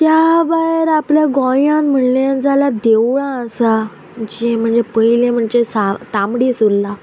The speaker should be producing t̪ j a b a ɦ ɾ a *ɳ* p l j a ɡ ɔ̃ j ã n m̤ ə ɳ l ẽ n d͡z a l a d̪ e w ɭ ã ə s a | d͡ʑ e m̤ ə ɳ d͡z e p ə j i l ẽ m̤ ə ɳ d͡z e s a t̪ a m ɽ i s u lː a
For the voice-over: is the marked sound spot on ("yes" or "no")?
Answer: no